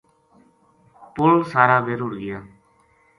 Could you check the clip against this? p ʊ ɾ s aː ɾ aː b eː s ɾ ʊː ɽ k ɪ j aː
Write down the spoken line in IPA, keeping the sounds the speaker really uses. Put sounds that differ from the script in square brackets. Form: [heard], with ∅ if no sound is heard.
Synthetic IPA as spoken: p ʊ [l] s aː ɾ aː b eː [∅] ɾ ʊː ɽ [ɡ] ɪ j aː